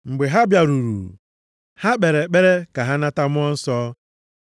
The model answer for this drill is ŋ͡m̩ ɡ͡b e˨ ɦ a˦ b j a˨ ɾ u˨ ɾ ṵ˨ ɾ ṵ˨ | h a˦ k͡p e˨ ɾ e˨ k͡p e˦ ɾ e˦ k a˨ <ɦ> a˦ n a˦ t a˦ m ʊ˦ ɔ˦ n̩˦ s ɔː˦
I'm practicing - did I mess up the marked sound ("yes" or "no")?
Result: no